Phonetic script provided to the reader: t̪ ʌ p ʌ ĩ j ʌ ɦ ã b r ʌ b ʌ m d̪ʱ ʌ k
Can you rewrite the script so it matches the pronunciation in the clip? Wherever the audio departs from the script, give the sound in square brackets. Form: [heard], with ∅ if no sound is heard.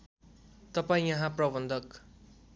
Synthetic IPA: t̪ ʌ p [a] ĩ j ʌ ɦ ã [p] r ʌ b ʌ [n] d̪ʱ ʌ k